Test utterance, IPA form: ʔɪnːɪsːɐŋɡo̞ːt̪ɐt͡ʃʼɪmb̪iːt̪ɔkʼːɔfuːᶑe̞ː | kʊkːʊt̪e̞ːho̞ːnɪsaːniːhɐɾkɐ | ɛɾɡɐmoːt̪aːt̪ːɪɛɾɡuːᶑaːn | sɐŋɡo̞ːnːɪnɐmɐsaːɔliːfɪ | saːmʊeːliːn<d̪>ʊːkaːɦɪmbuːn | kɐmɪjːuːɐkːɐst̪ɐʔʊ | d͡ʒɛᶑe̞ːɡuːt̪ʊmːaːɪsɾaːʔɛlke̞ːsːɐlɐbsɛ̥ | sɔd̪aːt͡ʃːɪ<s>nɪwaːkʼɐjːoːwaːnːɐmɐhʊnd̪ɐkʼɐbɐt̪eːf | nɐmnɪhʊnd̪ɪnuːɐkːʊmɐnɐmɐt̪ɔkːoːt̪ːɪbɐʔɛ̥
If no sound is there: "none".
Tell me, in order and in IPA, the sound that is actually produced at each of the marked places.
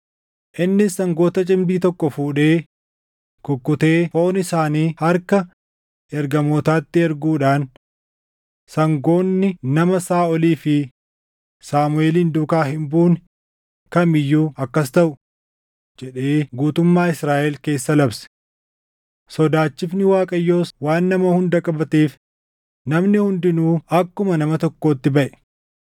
d̪, f

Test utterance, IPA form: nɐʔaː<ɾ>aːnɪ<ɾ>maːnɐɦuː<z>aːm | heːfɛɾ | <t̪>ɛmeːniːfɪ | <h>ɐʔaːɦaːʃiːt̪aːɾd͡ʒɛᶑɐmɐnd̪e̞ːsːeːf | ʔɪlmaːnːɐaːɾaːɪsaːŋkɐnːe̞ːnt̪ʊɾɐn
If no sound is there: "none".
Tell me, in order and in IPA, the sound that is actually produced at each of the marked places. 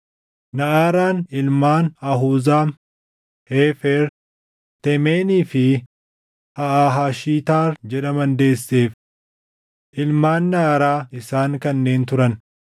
ɾ, l, z, t̪, h

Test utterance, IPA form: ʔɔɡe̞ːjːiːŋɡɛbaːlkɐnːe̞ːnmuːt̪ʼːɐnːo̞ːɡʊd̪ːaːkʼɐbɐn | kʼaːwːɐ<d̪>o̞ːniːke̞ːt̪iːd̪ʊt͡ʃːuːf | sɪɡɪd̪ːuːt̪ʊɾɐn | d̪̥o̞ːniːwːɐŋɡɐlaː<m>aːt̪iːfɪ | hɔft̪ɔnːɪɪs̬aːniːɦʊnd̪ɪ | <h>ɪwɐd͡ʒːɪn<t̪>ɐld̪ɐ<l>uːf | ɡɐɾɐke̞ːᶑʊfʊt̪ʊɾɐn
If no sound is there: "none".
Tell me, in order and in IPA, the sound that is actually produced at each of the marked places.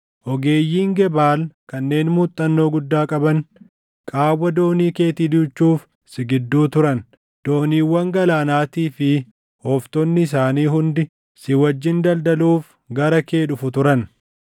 d̪, n, s, d̪, l

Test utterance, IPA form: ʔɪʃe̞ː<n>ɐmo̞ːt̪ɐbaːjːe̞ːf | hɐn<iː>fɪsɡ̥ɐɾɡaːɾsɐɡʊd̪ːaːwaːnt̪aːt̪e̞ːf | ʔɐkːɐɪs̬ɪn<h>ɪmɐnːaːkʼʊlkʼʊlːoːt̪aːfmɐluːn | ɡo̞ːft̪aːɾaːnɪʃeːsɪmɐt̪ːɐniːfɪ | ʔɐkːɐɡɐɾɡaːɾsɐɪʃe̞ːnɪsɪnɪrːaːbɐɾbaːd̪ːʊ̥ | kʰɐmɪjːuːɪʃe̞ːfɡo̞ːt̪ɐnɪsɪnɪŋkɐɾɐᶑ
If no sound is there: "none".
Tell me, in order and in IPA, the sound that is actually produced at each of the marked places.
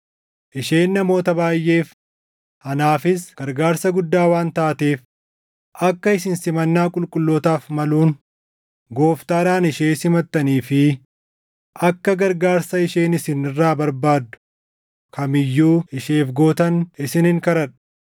nː, aː, s

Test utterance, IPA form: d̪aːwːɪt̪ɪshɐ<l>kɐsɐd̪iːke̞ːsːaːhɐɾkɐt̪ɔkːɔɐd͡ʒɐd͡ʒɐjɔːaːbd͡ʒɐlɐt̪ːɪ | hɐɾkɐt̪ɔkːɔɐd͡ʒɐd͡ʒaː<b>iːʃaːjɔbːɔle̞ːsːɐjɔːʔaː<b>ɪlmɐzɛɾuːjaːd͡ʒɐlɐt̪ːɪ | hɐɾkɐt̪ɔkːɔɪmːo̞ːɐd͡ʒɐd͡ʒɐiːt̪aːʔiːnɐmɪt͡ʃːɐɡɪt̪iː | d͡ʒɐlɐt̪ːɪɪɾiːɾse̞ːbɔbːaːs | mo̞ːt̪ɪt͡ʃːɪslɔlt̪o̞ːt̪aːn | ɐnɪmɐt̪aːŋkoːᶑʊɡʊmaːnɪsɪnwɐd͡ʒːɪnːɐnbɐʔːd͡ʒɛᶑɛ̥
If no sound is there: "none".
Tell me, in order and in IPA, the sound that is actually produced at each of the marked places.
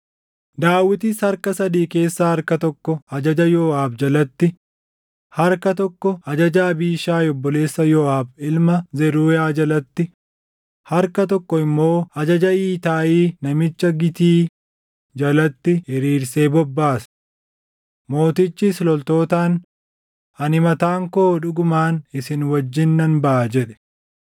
ɾ, b, b

